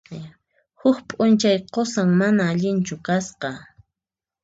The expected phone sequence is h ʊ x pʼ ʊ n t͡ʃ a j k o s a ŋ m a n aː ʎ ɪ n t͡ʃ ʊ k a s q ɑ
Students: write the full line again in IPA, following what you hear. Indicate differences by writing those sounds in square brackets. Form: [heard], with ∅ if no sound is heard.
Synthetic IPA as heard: h ʊ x pʼ ʊ n t͡ʃ a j [q] o s a ŋ m a n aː ʎ ɪ n t͡ʃ ʊ k a s q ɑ